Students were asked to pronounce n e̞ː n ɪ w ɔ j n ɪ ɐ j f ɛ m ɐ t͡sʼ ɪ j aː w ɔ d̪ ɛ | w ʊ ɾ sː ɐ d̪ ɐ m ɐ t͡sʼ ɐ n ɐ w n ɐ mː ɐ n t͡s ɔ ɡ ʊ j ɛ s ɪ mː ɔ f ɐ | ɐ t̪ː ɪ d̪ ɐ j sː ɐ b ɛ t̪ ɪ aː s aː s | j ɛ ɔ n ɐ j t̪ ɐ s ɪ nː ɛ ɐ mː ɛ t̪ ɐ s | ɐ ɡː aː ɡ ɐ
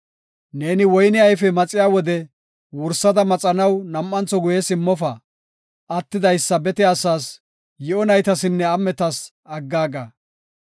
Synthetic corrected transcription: n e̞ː n ɪ w ɔ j n ɪ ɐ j f ɛ m ɐ t͡sʼ ɪ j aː w ɔ d̪ ɛ | w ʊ ɾ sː ɐ d̪ ɐ m ɐ t͡sʼ ɐ n ɐ w n ɐ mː ɐ n t͡s ɔ ɡ ʊ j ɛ s ɪ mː ɔ f ɐ | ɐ t̪ː ɪ d̪ ɐ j sː ɐ b ɛ t̪ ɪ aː s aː s | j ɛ ɔ n ɐ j t̪ ɐ s ɪ nː ɛ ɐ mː ɛ t̪ ɐ s | ɐ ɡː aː ɡ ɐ